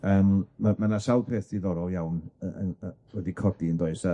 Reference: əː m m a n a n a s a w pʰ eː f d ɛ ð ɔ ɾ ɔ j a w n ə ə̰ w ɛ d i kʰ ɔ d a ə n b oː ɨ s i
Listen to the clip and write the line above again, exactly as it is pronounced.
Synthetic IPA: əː m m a m a n a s a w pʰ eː θ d i ð ɔ ɾ ɔ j a w n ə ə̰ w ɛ d i kʰ ɔ d i ə n d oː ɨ s a

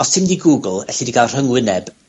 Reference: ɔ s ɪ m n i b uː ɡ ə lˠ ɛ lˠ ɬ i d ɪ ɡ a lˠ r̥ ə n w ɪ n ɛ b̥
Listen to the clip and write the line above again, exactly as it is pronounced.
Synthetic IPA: ɔ s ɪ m d i ɡ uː ɡ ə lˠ ɛ ɬ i d i ɡ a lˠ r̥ ə ŋ w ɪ n ɛ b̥

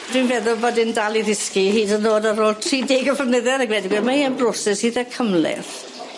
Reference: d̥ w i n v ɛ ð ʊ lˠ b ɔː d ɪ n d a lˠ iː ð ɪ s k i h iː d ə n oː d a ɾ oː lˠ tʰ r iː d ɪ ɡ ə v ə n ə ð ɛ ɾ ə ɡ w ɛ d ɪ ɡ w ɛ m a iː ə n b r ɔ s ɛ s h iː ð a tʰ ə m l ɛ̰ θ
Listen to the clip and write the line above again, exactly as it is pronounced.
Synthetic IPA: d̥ w i n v ɛ ð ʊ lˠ b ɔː d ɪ n d a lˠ i ð ɪ s k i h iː d ə n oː d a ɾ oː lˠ tʰ r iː d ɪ ɡ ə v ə n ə ð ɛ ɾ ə ɡ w ɛ d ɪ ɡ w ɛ m a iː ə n b r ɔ s ɛ s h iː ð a kʰ ə m l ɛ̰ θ

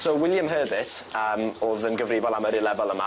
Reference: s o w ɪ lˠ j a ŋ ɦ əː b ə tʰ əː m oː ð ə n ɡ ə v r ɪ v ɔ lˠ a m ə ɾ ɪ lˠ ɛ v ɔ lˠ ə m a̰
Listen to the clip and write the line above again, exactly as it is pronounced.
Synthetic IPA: s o w ɪ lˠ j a m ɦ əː b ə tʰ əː m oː ð ə n ɡ ə v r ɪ v ɔ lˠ a m ə ɾ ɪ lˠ ɛ v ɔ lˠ ə m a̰

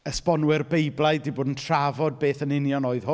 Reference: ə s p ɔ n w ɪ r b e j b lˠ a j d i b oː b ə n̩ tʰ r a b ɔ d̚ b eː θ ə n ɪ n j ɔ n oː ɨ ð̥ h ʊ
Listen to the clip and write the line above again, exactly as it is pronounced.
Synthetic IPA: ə s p ɔ n w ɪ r b e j b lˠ a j d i b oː d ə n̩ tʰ r a v ɔ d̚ b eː θ ə n ɪ n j ɔ n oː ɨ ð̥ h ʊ

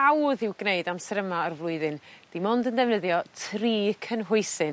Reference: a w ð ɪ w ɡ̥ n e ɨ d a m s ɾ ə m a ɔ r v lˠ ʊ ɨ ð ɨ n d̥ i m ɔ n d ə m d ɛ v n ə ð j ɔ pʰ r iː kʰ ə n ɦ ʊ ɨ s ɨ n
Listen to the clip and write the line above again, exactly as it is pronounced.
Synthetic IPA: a w ð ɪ w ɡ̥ n e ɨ d a m s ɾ ə m a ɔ r v lˠ ʊ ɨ ð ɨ n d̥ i m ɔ n d ə n d ɛ v n ə ð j ɔ tʰ r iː kʰ ə n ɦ ʊ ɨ s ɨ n

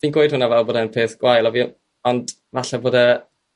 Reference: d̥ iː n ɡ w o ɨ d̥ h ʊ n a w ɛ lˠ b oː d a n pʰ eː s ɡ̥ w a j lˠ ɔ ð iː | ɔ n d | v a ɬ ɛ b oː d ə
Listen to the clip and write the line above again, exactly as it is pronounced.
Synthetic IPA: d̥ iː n ɡ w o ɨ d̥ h ʊ n a v ɛ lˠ b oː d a n pʰ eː θ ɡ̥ w a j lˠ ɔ v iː | ɔ n d | v a ɬ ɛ b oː d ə

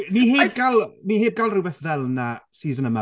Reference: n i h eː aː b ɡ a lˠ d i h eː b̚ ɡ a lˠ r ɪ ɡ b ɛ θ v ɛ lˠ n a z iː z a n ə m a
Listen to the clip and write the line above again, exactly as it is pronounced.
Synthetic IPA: n i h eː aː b ɡ a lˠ n i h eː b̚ ɡ a lˠ r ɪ b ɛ θ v ɛ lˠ n a s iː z ə n ə m a

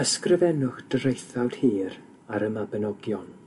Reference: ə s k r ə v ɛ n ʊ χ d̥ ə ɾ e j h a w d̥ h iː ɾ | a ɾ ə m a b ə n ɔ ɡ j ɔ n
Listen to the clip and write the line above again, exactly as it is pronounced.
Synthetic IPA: ə s k r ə v ɛ n ʊ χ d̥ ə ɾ e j θ a w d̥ h iː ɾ | a ɾ ə m a b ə n ɔ ɡ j ɔ n

